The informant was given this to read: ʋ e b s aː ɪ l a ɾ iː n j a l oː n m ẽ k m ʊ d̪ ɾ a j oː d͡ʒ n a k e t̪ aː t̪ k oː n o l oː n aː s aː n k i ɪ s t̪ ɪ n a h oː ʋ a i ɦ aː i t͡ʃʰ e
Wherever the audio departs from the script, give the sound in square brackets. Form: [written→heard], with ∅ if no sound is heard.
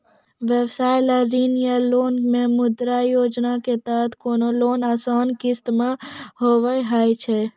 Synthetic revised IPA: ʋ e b s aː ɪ l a ɾ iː n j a l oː n m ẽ [k→∅] m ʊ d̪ ɾ a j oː d͡ʒ n a k e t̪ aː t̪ k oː n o l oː n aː s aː n k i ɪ s t̪ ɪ [n→m] a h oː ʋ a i ɦ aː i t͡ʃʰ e